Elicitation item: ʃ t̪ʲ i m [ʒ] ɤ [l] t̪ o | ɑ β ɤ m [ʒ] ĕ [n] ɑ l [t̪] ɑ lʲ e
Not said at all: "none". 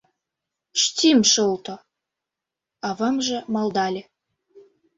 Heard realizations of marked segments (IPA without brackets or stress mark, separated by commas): ʃ, l, ʒ, m, d̪